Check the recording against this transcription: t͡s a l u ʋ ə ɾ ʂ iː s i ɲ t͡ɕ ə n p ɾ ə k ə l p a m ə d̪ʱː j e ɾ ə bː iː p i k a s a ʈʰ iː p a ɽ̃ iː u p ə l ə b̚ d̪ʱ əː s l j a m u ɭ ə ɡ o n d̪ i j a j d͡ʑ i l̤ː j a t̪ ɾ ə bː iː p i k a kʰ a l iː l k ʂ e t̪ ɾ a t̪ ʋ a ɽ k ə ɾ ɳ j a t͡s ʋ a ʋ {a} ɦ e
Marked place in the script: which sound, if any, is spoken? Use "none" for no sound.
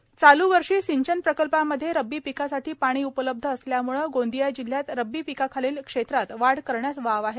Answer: a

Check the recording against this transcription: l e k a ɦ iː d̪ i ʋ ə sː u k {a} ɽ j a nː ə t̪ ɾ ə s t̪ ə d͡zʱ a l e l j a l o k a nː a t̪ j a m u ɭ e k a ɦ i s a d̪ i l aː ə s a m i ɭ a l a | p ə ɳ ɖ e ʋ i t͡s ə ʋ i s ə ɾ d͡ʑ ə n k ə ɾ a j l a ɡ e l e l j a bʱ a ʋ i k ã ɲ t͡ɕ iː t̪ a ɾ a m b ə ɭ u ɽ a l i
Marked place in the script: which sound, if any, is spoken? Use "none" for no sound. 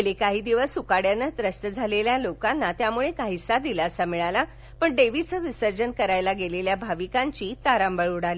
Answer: a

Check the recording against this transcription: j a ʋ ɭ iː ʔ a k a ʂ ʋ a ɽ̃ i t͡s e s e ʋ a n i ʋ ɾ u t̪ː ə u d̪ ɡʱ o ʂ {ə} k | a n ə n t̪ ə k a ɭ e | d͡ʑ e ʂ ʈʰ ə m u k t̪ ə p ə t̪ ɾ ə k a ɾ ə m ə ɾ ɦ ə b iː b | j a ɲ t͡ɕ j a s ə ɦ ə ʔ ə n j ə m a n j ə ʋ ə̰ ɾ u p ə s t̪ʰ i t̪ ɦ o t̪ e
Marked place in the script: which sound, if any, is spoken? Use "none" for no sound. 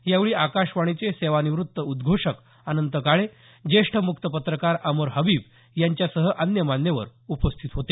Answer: ə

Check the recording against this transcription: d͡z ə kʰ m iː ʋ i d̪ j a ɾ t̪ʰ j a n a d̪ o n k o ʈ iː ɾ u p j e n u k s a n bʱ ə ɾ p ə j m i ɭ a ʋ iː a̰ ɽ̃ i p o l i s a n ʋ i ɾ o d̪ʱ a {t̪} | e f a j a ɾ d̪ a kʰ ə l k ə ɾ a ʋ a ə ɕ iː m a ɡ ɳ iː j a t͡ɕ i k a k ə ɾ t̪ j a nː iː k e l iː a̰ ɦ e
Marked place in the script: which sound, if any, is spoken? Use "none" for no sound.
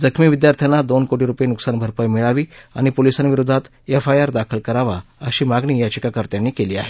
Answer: t̪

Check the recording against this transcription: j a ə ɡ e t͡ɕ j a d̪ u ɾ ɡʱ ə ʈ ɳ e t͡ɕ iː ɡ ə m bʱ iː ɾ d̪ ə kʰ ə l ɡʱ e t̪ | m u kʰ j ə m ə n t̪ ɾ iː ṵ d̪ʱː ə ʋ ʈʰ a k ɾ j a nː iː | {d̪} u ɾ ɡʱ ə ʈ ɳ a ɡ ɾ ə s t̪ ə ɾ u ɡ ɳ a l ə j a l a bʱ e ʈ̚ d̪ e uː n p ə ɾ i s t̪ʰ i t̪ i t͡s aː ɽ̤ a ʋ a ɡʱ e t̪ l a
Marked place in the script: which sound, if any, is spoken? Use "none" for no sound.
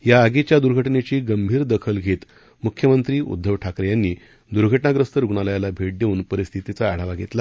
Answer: d̪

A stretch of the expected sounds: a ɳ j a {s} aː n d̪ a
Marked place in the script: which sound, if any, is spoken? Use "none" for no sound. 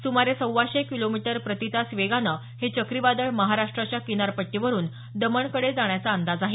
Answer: t͡s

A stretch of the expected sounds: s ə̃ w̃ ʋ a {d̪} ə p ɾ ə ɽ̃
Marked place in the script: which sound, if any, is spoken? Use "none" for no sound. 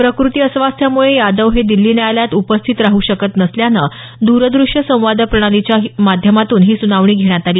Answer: d̪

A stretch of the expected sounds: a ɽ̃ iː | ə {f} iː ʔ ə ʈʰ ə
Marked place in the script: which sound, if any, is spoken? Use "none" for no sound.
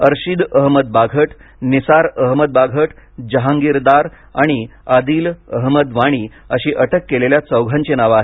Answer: ɕ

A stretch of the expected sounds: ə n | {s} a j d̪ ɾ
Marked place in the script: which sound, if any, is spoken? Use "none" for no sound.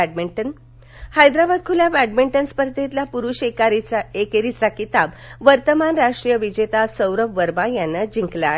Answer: h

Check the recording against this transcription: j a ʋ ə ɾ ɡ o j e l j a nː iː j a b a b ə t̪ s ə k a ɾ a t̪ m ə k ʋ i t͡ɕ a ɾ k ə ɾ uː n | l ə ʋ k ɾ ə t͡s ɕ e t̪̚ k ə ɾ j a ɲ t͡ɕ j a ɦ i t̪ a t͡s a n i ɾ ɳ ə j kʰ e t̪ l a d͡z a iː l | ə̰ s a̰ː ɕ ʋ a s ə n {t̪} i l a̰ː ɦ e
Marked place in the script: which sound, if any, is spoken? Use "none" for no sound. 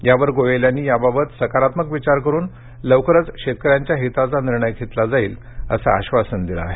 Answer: d̪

